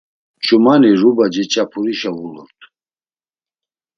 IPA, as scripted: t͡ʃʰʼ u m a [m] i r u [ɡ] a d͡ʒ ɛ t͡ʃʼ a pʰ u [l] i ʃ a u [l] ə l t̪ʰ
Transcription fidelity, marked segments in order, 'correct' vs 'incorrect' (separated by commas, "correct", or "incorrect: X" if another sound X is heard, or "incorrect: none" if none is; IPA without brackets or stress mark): incorrect: n, incorrect: b, incorrect: ɾ, correct